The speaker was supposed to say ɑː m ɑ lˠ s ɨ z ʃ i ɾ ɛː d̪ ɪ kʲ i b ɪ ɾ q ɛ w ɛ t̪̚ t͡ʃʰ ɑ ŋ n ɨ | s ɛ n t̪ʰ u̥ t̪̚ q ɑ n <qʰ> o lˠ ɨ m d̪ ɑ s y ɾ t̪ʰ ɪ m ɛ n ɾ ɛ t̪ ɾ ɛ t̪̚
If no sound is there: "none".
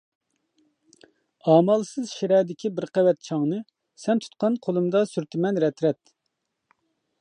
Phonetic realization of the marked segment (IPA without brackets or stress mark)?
qʰ